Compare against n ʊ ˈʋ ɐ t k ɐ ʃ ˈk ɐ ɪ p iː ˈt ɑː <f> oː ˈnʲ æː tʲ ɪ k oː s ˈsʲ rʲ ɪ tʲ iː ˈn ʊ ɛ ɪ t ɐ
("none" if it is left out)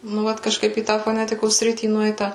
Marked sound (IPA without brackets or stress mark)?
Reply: f